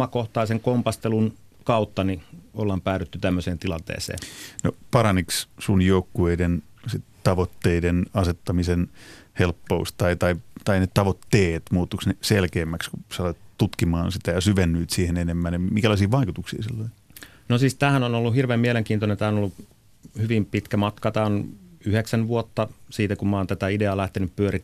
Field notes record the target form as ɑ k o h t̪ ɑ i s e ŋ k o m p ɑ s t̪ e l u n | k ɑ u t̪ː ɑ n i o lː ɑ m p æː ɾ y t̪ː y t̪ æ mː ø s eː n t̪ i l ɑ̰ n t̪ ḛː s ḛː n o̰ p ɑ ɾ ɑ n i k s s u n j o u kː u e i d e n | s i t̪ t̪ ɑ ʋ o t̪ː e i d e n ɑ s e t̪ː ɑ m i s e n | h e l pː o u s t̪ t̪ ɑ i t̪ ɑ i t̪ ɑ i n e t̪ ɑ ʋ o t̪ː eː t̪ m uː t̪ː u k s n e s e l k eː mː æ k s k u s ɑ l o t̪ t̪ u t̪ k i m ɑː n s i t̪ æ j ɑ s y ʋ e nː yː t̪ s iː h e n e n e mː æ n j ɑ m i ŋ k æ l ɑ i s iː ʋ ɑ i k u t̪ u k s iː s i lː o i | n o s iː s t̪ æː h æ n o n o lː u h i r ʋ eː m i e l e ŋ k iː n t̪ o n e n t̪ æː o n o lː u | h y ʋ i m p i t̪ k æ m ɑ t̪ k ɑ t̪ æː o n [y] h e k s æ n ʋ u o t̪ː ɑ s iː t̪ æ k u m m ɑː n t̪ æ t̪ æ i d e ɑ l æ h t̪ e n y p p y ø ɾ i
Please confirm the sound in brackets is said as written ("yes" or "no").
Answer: yes